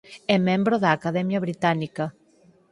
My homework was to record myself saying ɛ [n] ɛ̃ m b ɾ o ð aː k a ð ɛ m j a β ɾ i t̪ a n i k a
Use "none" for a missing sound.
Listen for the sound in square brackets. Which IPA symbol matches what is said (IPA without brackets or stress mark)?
m